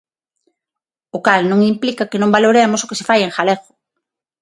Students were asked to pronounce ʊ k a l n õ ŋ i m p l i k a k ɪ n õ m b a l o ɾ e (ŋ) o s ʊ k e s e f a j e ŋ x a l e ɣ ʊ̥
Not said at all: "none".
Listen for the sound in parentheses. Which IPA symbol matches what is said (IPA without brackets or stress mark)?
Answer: m